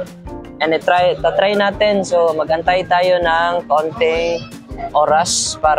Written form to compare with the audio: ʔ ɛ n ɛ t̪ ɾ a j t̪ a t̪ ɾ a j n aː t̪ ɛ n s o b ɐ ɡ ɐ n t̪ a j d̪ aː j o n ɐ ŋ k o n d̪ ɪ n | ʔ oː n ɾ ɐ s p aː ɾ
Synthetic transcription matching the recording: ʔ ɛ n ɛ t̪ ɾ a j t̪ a t̪ ɾ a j n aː t̪ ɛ n s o m ɐ ɡ ɐ n t̪ a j t̪ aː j o n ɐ ŋ k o n t̪ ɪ ŋ | ʔ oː ɾ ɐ s p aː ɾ